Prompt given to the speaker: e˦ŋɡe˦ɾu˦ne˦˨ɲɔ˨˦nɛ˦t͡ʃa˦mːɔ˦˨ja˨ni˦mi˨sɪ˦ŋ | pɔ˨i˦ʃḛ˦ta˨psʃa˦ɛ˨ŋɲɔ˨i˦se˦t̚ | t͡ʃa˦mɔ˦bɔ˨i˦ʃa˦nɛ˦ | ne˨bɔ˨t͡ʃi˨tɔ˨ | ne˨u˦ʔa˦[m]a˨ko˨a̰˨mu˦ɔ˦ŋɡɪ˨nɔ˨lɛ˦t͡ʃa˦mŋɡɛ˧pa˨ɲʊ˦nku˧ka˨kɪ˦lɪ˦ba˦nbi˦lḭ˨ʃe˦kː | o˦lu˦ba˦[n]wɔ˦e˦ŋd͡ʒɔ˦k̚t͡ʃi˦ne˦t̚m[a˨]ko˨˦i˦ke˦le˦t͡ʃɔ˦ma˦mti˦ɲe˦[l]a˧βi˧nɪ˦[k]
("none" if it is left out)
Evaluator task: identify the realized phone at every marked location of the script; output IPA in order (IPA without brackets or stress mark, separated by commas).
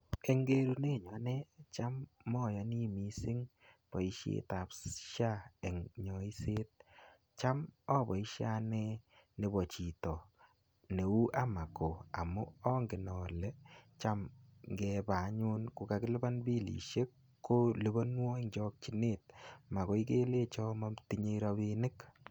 m, n, a˨, ɾ, k